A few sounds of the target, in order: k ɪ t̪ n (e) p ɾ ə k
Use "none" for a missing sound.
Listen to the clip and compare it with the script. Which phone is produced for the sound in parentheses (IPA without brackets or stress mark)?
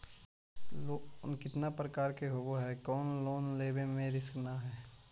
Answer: a